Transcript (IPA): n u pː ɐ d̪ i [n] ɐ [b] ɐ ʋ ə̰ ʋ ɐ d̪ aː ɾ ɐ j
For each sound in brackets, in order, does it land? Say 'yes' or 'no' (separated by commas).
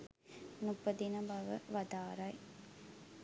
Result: yes, yes